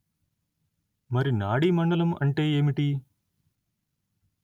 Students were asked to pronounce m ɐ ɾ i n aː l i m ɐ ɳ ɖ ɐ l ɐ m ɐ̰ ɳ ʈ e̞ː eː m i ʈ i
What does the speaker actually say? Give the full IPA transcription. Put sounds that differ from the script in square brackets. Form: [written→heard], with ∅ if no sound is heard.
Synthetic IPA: m ɐ ɾ i n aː [l→ɽ] i m ɐ ɳ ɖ ɐ l ɐ m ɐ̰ ɳ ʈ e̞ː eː m i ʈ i